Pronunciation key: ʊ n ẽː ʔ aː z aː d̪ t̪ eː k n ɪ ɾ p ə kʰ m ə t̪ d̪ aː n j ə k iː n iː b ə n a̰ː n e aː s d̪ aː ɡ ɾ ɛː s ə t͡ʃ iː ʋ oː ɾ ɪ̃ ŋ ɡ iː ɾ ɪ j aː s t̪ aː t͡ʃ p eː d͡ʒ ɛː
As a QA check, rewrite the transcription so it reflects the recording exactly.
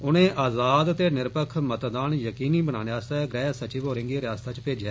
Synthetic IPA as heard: ʊ n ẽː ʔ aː z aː d̪ t̪ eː n ɪ ɾ p ə kʰ m ə t̪ d̪ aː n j ə k iː n iː b ə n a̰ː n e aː s t̪ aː ɡ ɾ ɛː s ə t͡ʃ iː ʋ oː ɾ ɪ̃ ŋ ɡ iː ɾ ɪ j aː s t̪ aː t͡ʃ p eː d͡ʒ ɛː